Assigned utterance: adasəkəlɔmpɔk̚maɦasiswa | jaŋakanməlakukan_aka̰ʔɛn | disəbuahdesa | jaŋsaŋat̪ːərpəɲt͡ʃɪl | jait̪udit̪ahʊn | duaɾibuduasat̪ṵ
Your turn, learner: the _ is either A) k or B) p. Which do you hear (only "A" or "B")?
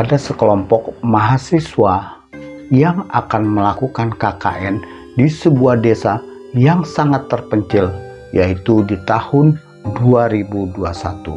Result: A